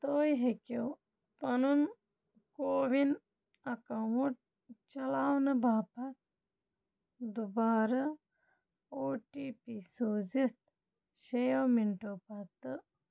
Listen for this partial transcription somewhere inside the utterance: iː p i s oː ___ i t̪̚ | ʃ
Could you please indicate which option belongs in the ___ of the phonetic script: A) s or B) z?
B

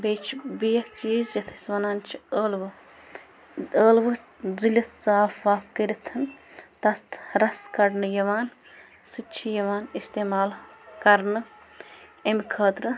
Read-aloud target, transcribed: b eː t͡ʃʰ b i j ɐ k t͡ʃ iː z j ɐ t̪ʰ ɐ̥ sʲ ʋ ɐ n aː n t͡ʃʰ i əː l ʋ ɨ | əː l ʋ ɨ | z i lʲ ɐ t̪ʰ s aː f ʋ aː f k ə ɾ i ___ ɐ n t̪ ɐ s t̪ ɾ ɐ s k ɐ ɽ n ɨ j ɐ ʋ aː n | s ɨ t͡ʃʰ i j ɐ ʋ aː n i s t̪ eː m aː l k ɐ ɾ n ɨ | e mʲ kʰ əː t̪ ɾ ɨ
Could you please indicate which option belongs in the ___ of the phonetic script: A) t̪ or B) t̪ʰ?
B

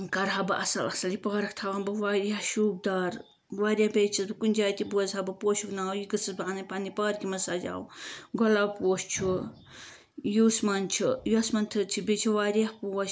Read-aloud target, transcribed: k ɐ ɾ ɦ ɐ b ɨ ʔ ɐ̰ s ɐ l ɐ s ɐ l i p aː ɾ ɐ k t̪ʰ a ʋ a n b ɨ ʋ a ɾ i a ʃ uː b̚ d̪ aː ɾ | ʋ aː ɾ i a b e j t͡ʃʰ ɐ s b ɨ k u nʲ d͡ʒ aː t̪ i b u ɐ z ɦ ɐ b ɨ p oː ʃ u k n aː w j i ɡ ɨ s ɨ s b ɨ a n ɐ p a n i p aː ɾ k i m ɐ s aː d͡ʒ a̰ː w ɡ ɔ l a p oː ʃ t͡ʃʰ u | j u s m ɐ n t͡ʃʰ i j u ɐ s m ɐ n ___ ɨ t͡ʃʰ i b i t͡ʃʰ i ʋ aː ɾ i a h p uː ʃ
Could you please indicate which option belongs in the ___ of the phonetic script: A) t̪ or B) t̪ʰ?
B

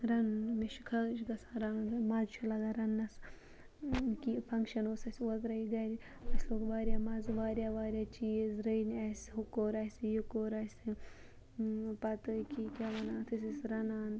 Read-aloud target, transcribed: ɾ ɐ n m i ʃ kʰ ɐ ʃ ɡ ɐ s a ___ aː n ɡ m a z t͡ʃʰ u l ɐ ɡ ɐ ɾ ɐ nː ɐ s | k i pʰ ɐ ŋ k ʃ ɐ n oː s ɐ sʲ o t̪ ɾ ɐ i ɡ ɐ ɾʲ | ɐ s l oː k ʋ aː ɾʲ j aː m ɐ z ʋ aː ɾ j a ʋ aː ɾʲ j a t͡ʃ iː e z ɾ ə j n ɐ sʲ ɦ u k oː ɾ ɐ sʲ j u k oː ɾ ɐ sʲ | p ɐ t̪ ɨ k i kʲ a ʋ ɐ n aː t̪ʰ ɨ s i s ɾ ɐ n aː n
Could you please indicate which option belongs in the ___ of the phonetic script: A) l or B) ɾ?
B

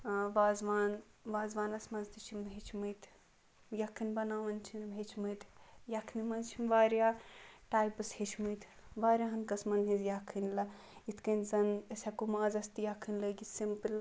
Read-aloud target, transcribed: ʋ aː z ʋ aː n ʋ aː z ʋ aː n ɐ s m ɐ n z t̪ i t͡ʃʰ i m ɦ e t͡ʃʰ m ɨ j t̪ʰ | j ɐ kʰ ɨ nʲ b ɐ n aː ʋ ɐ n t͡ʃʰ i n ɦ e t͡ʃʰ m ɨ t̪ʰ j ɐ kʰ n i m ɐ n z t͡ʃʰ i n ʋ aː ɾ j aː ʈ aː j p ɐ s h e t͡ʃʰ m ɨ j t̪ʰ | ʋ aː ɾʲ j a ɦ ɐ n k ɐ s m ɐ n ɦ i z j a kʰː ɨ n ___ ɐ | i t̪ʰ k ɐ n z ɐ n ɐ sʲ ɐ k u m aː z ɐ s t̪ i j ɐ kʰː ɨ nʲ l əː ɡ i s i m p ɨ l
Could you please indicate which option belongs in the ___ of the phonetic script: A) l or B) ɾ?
A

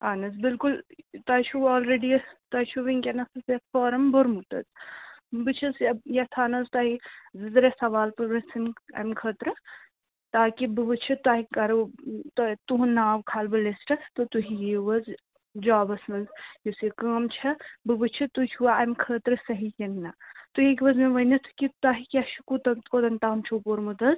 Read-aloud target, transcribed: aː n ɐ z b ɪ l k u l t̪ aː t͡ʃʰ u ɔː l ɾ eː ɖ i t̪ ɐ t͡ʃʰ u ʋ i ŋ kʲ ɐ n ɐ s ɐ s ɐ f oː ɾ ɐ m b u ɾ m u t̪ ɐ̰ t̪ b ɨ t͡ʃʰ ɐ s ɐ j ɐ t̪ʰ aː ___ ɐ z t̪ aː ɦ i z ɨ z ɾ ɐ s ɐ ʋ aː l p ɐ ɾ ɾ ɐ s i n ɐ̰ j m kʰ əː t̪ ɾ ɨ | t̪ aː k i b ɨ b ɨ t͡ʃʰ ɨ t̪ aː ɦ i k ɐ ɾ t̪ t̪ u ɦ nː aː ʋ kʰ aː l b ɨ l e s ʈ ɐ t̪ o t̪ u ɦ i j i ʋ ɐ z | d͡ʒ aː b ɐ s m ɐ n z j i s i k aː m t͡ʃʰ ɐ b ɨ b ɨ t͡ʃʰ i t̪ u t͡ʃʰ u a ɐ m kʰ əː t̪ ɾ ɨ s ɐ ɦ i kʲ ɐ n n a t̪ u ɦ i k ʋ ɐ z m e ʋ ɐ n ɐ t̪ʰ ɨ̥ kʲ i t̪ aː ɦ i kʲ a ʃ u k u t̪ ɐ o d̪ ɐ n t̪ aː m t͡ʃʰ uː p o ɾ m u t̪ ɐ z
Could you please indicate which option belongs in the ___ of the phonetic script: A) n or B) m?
A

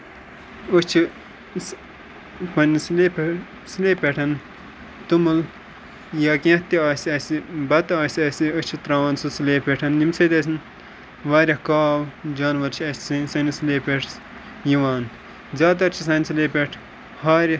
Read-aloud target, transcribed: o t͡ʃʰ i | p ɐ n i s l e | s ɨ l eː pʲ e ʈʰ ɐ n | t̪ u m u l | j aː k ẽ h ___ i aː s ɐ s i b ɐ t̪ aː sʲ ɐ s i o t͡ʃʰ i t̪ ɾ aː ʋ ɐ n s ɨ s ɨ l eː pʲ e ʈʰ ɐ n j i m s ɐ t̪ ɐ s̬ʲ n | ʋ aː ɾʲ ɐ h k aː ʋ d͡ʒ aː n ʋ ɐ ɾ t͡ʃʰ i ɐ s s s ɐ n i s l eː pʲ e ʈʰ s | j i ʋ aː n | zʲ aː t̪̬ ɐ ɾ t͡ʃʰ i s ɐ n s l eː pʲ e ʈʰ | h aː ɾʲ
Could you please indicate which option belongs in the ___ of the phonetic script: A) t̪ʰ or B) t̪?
B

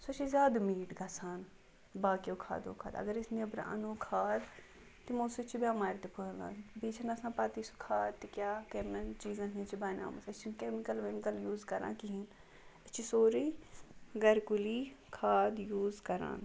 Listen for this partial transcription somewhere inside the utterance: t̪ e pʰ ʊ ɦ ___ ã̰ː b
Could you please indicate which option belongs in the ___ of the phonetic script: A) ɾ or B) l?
B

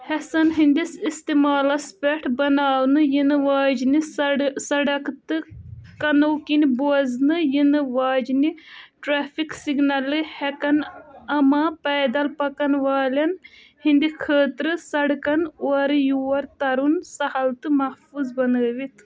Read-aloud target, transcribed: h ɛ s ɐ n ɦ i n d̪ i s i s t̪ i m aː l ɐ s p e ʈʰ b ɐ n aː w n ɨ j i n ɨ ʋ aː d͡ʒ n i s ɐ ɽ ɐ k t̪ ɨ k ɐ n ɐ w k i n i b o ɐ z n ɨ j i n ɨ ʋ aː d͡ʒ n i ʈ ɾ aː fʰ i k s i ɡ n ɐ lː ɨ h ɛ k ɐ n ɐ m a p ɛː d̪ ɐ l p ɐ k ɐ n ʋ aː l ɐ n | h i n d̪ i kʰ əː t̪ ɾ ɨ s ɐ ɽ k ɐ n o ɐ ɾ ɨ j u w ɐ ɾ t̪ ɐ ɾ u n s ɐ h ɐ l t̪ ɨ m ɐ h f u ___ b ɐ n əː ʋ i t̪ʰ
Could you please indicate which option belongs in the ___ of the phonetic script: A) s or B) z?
B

